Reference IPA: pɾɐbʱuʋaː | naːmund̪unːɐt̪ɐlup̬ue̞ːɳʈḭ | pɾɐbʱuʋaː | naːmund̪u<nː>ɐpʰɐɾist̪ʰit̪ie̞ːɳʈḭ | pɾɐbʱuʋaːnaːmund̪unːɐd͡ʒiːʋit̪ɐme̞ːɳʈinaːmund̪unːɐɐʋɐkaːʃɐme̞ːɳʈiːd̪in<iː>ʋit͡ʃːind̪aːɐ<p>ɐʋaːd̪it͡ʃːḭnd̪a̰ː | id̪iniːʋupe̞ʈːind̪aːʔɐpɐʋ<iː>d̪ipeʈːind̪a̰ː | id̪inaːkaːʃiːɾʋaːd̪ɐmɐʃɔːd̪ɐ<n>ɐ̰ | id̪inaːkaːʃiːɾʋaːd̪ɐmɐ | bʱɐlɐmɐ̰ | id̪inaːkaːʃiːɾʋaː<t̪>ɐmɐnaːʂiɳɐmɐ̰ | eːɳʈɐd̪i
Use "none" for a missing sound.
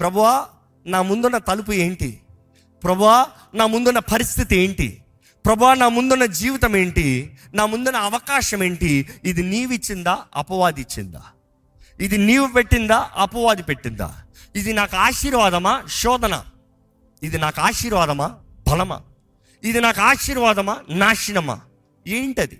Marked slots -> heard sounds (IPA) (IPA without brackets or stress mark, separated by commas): nː, iː, p, aː, n, d̪